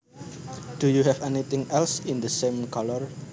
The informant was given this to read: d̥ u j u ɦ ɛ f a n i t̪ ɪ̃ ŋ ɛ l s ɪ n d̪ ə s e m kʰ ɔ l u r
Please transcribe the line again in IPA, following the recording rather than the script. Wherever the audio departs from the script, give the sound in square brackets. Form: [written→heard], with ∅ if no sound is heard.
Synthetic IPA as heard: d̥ u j u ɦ ɛ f [a→ɛ] n i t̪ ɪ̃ ŋ ɛ l s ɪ n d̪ ə s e m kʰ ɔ l [u→ɔ] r